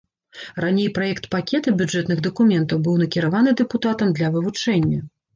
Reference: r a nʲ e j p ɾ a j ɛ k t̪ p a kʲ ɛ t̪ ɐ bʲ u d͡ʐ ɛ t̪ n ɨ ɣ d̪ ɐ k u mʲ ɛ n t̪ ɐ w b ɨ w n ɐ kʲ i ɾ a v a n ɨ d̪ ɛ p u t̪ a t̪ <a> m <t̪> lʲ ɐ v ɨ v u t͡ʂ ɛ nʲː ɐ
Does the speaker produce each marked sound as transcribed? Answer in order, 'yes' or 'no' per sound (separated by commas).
no, no